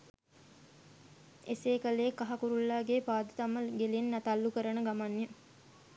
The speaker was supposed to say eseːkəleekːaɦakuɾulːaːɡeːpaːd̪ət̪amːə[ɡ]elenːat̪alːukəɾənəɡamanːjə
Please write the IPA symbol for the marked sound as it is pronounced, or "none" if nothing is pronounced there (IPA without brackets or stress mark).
ɡ